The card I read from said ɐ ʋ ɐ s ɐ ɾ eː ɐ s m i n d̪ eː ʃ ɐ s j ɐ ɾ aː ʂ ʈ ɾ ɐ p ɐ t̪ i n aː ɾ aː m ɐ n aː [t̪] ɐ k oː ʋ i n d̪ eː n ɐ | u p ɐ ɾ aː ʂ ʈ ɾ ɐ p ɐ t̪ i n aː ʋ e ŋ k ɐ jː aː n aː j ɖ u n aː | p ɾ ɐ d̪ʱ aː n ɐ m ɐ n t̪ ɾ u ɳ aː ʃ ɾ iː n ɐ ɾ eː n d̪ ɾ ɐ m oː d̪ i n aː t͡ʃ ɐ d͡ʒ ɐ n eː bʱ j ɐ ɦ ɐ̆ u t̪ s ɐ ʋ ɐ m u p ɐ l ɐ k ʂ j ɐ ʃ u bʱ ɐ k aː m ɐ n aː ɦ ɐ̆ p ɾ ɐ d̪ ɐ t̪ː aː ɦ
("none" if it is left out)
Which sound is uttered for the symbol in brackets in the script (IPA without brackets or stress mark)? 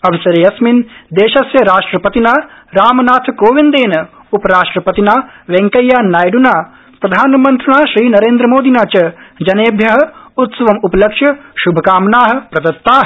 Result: t̪ʰ